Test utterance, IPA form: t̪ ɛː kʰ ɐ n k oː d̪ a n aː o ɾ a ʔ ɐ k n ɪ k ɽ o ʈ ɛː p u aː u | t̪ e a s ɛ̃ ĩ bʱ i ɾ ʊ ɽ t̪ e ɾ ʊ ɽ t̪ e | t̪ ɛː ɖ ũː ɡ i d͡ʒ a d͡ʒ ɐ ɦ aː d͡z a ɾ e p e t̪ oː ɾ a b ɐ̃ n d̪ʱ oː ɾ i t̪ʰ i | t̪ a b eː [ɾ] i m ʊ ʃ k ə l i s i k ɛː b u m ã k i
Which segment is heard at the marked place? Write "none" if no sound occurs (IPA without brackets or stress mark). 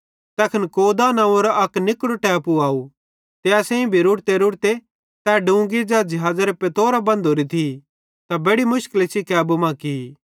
ɽ